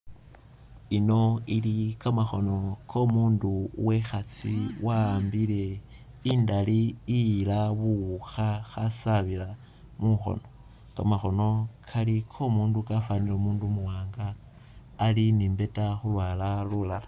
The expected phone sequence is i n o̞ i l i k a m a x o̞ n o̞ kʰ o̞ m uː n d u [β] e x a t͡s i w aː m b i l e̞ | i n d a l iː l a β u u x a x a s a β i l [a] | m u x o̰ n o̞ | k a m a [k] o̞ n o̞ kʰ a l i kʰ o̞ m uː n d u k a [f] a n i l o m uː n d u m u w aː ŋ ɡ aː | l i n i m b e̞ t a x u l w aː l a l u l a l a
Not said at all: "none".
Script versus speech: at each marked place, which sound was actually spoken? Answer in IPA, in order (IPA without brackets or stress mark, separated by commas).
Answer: w, a, x, f